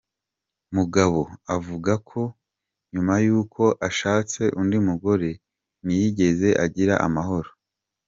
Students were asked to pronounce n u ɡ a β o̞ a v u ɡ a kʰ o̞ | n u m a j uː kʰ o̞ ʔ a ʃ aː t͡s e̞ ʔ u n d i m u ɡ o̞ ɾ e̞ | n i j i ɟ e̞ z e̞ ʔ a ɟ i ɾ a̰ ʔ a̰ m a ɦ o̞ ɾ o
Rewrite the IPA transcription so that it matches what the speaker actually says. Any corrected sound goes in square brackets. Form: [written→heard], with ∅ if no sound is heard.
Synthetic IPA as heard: [n→m] u ɡ a β o̞ a v u ɡ a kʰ o̞ | [n→ɲ] u m a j uː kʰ o̞ ʔ a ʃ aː t͡s e̞ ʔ u n d i m u ɡ o̞ ɾ e̞ | n i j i ɟ e̞ z e̞ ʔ a ɟ i ɾ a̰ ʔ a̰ m a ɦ o̞ ɾ o